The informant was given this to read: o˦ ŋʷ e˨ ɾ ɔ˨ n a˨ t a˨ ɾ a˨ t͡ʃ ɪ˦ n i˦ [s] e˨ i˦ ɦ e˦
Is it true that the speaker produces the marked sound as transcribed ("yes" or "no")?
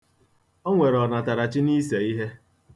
yes